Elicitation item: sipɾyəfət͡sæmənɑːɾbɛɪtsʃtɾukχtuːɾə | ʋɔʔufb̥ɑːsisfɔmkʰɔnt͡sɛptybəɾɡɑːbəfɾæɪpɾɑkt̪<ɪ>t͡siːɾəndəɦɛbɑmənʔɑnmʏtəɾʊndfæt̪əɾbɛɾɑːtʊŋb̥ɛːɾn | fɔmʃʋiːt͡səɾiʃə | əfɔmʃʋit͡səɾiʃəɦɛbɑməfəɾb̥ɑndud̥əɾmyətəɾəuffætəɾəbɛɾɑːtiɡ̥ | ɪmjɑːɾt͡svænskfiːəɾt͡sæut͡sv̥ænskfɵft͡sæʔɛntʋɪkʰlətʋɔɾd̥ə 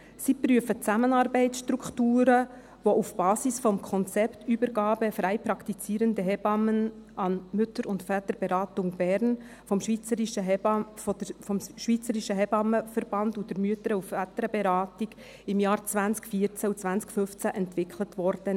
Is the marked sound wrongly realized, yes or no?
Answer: yes